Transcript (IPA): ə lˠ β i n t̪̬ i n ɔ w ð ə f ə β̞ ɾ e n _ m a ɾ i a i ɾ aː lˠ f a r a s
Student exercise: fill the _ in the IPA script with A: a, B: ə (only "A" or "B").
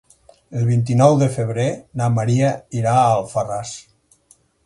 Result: A